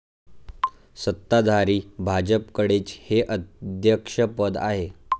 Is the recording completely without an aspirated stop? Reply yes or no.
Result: yes